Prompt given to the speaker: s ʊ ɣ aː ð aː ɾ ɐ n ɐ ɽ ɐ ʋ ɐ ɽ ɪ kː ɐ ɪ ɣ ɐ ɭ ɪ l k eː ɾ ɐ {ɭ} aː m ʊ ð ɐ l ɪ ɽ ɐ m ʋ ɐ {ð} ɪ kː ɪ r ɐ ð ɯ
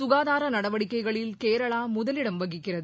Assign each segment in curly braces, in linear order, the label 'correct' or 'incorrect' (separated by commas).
correct, incorrect